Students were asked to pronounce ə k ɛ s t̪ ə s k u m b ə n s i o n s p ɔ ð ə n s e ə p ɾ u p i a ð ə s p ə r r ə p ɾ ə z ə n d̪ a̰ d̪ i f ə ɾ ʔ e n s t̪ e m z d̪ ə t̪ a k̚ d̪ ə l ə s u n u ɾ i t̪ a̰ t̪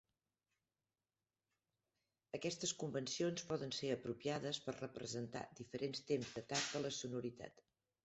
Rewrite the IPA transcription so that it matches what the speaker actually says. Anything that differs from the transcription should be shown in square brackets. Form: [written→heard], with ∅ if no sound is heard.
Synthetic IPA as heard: ə k ɛ s t̪ ə s k u m b ə n s i o n s p ɔ ð ə n s e ə p ɾ u p i a ð ə s p ə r r ə p ɾ ə z ə n [d̪→t̪] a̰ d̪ i f ə ɾ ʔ e n s t̪ e m z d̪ ə t̪ a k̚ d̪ ə l ə s u n u ɾ i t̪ a̰ t̪